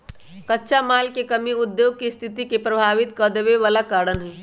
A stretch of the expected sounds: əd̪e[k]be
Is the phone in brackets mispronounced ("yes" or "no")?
yes